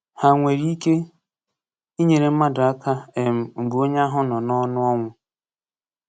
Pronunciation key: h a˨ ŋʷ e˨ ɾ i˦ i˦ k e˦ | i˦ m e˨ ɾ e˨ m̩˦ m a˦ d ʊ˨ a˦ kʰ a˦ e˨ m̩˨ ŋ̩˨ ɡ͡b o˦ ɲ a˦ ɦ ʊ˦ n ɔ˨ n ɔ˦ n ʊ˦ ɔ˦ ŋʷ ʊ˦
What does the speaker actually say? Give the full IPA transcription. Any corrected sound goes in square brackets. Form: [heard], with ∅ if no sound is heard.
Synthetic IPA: h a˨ ŋʷ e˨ ɾ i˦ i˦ k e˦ | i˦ [ɲ] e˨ ɾ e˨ m̩˦ m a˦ d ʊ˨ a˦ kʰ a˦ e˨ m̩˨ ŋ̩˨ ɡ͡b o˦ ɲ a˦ ɦ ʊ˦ n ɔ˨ n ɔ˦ n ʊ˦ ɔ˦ ŋʷ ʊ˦